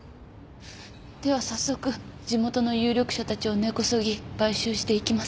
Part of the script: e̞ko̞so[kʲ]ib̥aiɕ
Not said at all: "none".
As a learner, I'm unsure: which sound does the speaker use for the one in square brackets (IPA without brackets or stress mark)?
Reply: ɡʲ